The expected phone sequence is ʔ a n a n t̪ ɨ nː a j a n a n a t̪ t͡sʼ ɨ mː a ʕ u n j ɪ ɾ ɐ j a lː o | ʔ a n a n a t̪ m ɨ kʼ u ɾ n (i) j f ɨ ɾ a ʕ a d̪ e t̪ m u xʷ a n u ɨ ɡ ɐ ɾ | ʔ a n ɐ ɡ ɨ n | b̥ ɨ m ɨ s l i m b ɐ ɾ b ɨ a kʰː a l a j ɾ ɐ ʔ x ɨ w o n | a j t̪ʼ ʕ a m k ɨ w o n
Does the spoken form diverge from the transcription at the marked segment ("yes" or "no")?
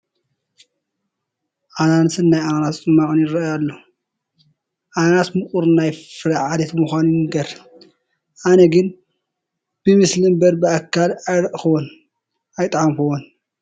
yes